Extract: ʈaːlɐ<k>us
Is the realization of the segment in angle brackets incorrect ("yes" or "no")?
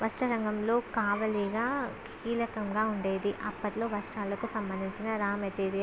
no